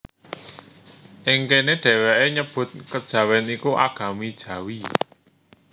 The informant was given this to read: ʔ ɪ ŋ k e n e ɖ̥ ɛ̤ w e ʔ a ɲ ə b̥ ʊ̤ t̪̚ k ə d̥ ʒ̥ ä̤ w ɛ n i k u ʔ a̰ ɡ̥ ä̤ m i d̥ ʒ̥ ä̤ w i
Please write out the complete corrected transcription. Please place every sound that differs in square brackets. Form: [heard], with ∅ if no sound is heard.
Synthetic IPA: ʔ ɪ ŋ k e n e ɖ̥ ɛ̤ w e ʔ [e] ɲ ə b̥ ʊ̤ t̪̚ k ə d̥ ʒ̥ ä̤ w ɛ n i k u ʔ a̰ ɡ̥ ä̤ m i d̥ ʒ̥ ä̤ w i